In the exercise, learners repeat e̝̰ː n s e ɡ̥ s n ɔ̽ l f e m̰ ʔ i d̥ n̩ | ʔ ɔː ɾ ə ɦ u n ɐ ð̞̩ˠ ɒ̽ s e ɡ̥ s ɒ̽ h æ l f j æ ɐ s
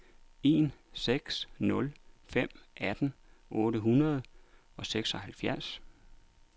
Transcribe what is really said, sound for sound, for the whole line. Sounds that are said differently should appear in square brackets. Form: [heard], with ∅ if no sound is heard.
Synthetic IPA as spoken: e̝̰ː n s e ɡ̥ s n ɔ̽ l f e m̰ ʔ [æ] d̥ n̩ | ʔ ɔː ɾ ə ɦ u n ɐ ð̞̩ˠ ɒ̽ s e ɡ̥ s ɒ̽ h æ l f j æ ɐ s

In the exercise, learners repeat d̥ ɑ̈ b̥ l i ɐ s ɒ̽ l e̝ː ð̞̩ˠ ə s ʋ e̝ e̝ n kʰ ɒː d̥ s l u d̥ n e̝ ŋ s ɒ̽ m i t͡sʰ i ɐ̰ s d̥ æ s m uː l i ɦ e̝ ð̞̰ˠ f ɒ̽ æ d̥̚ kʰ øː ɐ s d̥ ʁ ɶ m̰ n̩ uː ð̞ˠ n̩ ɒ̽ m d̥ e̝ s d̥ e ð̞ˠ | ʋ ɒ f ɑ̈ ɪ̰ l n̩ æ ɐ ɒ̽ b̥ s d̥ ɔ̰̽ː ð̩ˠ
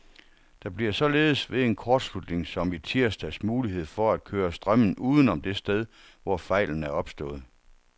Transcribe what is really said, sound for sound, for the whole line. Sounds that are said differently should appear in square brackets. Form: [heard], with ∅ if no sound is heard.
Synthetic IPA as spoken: d̥ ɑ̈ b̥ l i ɐ s ɒ̽ l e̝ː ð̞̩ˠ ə s ʋ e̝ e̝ n kʰ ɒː d̥ s l u d̥ n e̝ ŋ s ɒ̽ m i t͡sʰ i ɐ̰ s d̥ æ s m uː l i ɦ e̝ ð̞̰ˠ f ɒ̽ æ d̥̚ kʰ øː ɐ s d̥ ʁ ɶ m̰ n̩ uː ð̞ˠ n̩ ɒ̽ m d̥ e̝ s d̥ e ð̞ˠ | ʋ ɒ f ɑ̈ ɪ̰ l n̩ æ ɐ ɒ̽ b̥ s d̥ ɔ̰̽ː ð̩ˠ

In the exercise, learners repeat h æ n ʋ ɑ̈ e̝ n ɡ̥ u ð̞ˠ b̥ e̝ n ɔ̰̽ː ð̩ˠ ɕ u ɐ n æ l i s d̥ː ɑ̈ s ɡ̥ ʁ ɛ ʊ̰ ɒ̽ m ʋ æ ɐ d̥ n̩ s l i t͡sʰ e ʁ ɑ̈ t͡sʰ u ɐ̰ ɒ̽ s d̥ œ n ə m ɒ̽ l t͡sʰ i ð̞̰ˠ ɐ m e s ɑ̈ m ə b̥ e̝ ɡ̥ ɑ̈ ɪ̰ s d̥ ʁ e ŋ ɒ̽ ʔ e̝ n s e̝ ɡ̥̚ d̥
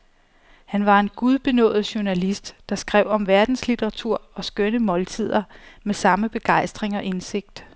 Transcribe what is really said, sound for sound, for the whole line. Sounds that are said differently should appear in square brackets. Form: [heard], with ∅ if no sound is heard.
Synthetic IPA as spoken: h æ n ʋ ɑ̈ e̝ n ɡ̥ u ð̞ˠ b̥ e̝ n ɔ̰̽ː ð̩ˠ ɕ u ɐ n æ l i s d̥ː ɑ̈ s ɡ̥ ʁ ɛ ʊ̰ ɒ̽ m ʋ æ ɐ d̥ n̩ s l i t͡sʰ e ʁ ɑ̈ t͡sʰ u ɐ̰ ɒ̽ s [ɡ̥] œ n ə m ɒ̽ l t͡sʰ i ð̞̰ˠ ɐ m e s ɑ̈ m ə b̥ e̝ ɡ̥ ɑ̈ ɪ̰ s d̥ ʁ e ŋ ɒ̽ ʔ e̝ n s e̝ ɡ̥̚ d̥

